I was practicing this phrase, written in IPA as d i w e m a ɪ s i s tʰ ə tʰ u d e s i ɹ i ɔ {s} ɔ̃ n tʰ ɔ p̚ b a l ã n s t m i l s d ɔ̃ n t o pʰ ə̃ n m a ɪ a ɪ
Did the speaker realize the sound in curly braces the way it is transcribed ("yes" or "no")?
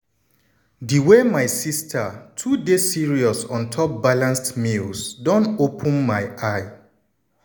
yes